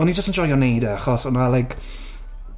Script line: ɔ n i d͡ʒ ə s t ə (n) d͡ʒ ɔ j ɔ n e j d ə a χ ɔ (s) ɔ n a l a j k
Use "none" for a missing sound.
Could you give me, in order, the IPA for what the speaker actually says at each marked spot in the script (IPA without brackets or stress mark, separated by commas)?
n, s